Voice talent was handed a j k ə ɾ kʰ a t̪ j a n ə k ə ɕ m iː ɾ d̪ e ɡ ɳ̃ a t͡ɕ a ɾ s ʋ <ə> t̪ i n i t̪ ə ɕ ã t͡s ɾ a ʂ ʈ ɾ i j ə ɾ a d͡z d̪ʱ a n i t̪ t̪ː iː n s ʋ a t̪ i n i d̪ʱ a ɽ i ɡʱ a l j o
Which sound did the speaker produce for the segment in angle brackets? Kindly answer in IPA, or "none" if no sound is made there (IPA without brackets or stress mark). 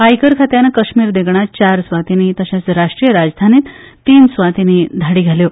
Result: a